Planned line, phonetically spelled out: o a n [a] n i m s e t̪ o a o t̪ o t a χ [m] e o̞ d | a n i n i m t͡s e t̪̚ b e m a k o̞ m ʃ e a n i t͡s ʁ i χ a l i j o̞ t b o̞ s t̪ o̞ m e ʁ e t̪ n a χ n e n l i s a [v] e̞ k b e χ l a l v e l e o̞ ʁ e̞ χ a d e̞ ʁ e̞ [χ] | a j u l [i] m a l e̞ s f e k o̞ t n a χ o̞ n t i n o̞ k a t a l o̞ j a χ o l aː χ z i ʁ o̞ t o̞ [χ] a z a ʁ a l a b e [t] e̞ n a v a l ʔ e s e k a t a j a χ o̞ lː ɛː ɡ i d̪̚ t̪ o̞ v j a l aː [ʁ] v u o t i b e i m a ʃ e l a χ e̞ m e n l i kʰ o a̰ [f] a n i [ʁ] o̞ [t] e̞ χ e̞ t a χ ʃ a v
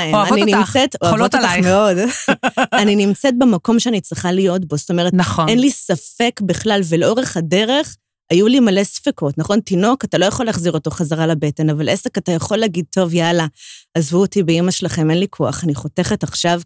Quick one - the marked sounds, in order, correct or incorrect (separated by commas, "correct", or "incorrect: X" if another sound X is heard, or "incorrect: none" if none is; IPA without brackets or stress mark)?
incorrect: i, correct, incorrect: f, correct, correct, correct, correct, incorrect: z, incorrect: χ, incorrect: χ, correct